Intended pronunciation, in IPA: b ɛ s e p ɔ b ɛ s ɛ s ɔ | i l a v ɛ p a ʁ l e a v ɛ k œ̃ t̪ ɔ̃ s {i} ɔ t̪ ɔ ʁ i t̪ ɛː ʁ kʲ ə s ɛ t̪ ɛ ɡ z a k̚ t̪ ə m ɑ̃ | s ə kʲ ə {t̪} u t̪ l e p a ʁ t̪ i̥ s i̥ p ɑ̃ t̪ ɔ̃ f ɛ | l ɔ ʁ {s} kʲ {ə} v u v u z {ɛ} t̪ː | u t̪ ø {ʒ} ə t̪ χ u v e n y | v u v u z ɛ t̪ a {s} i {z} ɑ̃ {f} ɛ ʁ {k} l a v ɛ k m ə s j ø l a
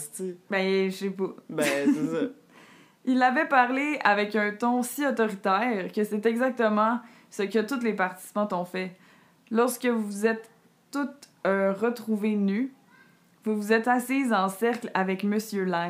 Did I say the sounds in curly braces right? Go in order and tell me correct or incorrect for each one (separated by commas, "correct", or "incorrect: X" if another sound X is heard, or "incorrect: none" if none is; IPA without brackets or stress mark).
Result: correct, correct, correct, correct, correct, incorrect: ʁ, correct, correct, incorrect: s, correct